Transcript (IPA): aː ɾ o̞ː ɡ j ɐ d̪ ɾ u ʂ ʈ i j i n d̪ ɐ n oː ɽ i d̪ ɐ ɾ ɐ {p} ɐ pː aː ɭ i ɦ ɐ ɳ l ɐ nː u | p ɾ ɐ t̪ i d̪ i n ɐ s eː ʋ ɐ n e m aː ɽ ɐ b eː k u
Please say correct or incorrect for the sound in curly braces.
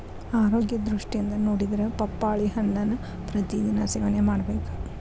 correct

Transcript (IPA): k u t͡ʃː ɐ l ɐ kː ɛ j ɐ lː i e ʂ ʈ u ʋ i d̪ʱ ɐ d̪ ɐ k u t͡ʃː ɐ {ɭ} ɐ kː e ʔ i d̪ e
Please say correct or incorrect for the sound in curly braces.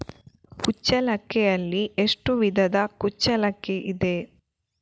incorrect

